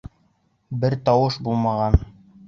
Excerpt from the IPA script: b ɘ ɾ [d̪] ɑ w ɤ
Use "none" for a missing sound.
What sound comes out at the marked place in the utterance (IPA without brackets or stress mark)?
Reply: t̪